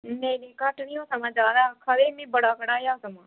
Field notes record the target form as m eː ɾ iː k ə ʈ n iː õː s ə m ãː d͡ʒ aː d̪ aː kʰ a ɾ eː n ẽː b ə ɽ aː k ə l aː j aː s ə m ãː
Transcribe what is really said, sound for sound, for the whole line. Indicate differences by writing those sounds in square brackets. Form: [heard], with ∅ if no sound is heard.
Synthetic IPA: m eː ɾ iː k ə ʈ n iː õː s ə m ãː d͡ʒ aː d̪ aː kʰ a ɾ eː [m] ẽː b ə ɽ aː k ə [ɽ] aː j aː s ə m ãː